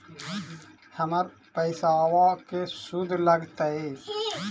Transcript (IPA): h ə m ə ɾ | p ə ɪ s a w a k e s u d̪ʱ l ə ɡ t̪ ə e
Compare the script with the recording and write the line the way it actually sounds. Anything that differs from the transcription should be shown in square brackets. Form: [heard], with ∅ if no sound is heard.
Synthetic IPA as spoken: h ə m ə ɾ | p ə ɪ s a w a k e s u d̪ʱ l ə ɡ t̪ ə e